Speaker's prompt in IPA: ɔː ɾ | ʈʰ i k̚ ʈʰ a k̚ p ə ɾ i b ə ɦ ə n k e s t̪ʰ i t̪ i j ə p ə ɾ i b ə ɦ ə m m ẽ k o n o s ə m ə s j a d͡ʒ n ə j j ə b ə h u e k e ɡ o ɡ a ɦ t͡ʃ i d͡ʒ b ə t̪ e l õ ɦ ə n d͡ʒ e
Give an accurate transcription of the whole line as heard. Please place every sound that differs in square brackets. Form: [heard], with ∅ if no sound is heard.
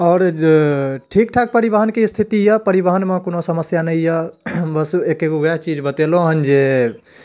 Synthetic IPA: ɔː ɾ | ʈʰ i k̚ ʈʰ a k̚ p ə ɾ i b ə ɦ ə n k e s t̪ʰ i t̪ i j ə p ə ɾ i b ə ɦ ə [n] m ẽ k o n o s ə m ə s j a [∅] n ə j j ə b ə [s] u e k e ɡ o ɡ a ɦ t͡ʃ i d͡ʒ b ə t̪ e l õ ɦ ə n d͡ʒ e